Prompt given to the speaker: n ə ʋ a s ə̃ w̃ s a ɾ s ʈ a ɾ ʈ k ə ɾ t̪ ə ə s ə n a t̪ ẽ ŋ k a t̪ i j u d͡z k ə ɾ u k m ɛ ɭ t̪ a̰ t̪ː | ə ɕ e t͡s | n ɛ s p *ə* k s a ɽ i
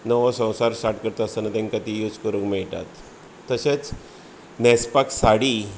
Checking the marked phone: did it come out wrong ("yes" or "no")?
yes